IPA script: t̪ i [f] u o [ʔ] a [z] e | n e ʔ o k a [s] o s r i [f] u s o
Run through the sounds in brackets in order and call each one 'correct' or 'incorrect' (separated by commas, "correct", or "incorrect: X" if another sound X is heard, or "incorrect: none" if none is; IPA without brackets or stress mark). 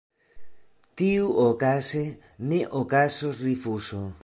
incorrect: none, incorrect: k, incorrect: s, correct, correct